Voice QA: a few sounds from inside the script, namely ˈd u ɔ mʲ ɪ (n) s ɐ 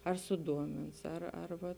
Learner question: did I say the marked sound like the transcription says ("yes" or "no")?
yes